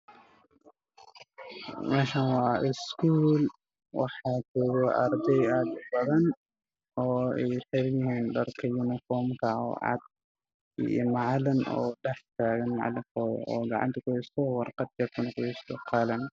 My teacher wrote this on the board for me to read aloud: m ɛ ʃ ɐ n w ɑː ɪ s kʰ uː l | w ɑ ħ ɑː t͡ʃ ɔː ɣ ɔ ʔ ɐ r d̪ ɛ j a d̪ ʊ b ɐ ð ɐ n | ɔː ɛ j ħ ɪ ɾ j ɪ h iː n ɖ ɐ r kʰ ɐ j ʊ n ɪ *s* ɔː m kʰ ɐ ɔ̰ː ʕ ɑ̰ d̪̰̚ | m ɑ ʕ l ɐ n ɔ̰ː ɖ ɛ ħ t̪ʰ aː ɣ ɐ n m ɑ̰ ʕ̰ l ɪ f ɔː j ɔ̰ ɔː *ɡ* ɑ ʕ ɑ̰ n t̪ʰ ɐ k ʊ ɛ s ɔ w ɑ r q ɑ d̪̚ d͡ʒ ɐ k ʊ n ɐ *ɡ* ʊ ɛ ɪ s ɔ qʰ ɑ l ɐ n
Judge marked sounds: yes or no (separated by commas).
no, yes, no